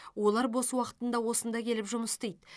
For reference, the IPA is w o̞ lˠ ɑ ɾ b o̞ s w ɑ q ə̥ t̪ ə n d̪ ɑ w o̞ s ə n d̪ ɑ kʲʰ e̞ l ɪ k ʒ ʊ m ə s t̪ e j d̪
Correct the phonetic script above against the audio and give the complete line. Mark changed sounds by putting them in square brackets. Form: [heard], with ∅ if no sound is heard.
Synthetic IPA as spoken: w o̞ lˠ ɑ ɾ b o̞ s w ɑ q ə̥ t̪ ə n d̪ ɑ w o̞ s ə n d̪ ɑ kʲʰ e̞ l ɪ [p] ʒ ʊ m ə s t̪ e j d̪